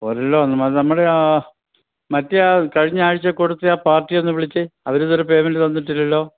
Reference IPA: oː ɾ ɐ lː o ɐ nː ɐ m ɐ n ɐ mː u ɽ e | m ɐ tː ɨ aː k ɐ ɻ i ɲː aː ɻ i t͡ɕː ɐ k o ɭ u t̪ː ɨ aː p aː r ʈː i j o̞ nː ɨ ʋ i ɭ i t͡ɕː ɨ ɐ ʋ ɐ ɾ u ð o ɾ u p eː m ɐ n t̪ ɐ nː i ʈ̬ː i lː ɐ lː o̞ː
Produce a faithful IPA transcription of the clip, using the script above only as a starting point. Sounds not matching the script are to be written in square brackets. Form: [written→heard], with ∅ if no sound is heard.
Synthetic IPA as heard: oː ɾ ɐ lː o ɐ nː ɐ m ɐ n ɐ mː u ɽ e | m ɐ tː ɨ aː k ɐ ɻ i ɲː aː ɻ i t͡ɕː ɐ k o [ɭ→ɽ] u t̪ː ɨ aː p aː r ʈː i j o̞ nː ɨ ʋ i ɭ i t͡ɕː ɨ ɐ ʋ ɐ ɾ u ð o ɾ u p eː m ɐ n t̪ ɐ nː i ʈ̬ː i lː ɐ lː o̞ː